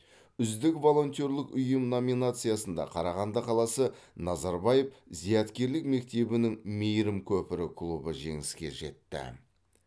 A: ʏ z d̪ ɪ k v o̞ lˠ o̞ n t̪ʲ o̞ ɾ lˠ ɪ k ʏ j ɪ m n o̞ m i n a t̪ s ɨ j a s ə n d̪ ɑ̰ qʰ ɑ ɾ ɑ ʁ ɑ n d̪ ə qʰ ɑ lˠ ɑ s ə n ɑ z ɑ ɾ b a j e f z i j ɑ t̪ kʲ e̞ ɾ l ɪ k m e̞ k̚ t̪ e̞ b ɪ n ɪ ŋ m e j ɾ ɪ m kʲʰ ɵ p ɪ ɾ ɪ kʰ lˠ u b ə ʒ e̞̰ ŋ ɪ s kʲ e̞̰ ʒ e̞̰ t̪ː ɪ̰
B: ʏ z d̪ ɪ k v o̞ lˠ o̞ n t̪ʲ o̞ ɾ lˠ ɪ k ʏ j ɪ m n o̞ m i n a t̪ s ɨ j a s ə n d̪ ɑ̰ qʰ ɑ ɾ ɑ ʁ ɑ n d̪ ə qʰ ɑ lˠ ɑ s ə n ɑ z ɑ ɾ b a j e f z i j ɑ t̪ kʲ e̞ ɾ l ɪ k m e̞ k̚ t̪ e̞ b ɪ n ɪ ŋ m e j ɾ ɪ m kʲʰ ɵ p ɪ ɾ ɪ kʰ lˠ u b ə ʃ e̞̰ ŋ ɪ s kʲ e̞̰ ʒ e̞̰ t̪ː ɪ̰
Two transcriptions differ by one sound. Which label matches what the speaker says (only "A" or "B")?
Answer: A